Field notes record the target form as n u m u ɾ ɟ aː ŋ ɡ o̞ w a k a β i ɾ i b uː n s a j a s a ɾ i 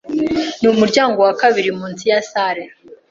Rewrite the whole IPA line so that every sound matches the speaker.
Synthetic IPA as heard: n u m u ɾ ɟ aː ŋ ɡ o̞ w a k a β i ɾ i m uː n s i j a s a ɾ e

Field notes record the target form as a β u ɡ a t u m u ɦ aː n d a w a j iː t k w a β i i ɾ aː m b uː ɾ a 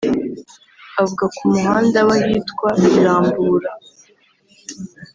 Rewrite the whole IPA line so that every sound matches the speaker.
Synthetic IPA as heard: a v u ɡ a k u m u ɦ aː n d a w a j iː t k w a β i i ɾ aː m b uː ɾ a

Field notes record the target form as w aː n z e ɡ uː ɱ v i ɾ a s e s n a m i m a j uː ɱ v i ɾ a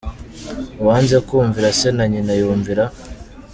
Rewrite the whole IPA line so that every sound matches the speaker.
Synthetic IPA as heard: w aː n z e k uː ɱ v i ɾ a s e n a ɲ i n a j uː ɱ v i ɾ a

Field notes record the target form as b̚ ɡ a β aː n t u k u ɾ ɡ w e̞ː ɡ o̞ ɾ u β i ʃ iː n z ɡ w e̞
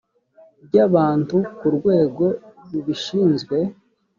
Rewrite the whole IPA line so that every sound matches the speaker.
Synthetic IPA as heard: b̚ ɟ a β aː n t u k u ɾ ɡ w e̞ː ɡ o̞ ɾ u β i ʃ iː n z ɡ w e̞

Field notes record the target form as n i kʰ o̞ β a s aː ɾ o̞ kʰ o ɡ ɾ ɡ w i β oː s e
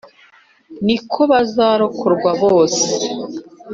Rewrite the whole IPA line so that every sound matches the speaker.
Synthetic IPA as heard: n i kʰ o̞ β a z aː ɾ o̞ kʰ o ɾ ɡ w a β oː s e

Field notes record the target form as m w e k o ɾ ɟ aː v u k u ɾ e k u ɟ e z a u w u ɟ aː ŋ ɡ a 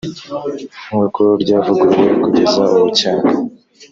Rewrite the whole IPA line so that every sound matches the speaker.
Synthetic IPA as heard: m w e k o ɾ ɟ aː v u ɡ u ɾ e k u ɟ e z a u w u c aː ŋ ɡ a

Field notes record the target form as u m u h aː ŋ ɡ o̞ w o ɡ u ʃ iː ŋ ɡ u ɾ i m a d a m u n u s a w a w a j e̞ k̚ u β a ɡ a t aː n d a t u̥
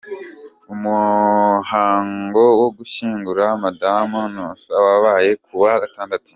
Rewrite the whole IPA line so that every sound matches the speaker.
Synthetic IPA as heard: u m u h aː ŋ ɡ o̞ w o ɡ u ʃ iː ŋ ɡ u ɾ a m a d a m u n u s a w a β a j e̞ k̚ u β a ɡ a t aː n d a t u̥

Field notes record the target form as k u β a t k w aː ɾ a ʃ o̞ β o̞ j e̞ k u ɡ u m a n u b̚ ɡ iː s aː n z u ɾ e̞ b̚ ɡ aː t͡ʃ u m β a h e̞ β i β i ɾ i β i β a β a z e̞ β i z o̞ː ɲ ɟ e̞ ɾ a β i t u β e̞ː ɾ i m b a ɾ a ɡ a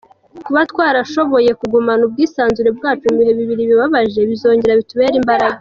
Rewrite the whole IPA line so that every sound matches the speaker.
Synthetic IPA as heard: k u β a t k w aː ɾ a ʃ o̞ β o̞ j e̞ k u ɡ u m a n u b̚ ɡ iː s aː n z u ɾ e̞ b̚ ɡ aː t͡ʃ u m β i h e̞ β i β i ɾ i β i β a β a ʒ e̞ β i z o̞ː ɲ ɟ e̞ ɾ a β i t u β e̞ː ɾ i m b a ɾ a ɡ a

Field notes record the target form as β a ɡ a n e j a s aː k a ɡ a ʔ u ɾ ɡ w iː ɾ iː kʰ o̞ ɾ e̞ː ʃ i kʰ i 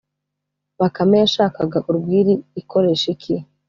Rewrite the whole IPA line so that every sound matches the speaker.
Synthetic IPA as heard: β a k a m e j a ʃ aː k a ɡ a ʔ u ɾ ɡ w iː ɾ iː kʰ o̞ ɾ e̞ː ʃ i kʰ i

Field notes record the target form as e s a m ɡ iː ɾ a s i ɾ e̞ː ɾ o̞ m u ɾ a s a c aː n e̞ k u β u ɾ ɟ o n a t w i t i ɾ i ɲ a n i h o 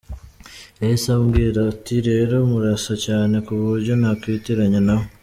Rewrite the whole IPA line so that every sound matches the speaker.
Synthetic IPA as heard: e s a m ɡ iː ɾ a t i ɾ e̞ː ɾ o̞ m u ɾ a s a c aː n e̞ k u β u ɾ ɟ o n a k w i t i ɾ a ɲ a n a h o

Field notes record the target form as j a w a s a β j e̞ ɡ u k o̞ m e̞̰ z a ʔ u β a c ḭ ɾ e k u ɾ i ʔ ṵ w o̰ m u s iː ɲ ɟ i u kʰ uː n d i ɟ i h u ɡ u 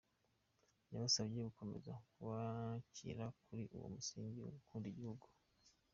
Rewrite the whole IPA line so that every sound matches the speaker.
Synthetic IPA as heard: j a β a s a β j e̞ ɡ u k o̞ m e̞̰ z a k u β a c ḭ ɾ a k u ɾ i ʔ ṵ w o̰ m u s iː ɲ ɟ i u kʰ uː n d i ɟ i h u ɡ u

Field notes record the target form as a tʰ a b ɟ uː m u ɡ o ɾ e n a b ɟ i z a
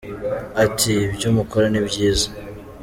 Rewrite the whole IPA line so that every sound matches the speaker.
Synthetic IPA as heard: a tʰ i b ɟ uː m u k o ɾ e n i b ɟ iː z a

